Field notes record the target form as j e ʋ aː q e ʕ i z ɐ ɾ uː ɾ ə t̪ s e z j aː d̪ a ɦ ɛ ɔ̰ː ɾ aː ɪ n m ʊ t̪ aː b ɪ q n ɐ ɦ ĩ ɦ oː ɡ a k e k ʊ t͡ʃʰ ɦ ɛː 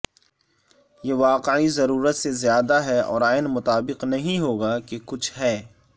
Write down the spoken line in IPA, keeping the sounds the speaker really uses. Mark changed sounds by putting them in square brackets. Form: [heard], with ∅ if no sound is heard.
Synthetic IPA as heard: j e ʋ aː q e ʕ i z ɐ ɾ uː ɾ ə t̪ s e z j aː d̪ a ɦ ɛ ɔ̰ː ɾ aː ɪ n m ʊ t̪ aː b ɪ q n ɐ ɦ ĩ ɦ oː ɡ a k e k ʊ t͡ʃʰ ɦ ɛː